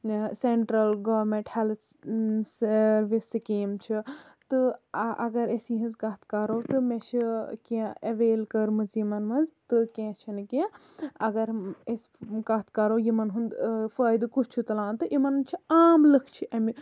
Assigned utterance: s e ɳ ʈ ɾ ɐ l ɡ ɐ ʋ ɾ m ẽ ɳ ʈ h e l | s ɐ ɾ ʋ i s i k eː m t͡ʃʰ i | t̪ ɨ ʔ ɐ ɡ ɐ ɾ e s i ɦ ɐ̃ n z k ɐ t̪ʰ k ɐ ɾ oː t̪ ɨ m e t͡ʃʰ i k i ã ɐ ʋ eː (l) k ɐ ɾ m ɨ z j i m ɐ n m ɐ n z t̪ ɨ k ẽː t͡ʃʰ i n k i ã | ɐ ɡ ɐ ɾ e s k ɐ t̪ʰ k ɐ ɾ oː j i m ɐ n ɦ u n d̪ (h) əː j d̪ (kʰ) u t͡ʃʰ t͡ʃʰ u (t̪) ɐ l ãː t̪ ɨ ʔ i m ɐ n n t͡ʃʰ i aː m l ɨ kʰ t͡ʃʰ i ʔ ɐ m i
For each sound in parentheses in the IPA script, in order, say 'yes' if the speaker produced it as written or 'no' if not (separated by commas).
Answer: yes, no, no, yes